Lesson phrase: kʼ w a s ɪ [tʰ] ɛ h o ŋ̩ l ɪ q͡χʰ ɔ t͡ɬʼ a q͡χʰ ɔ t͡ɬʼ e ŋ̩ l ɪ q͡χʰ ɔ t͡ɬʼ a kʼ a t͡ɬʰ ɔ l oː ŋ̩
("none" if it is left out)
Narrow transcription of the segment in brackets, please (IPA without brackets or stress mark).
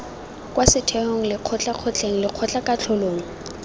tʰ